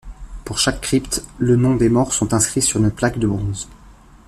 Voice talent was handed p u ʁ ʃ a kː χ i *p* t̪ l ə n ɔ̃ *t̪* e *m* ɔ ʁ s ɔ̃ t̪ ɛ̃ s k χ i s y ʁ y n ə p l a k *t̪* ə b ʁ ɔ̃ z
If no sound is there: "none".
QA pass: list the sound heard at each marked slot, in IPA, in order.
p, d̪, m, d̪

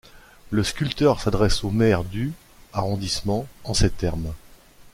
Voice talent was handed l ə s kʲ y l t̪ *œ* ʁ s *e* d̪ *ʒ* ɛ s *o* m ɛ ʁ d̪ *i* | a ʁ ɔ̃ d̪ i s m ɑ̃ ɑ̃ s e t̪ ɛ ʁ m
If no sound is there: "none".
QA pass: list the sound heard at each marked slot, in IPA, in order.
œ, a, ʁ, o, y

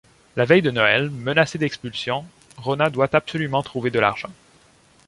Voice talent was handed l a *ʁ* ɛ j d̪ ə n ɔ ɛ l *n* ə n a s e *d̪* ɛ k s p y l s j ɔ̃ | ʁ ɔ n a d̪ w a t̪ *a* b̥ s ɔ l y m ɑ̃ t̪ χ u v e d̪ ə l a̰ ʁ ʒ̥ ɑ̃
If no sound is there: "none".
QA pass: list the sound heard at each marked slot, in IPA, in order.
v, m, d̪, a

